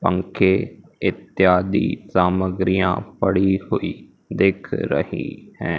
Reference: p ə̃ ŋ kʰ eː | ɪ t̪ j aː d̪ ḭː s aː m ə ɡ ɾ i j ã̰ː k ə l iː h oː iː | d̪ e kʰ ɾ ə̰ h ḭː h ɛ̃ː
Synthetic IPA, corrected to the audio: p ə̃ ŋ kʰ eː | ɪ t̪ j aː d̪ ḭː s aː m ə ɡ ɾ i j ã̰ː p ə ɽ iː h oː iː | d̪ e kʰ ɾ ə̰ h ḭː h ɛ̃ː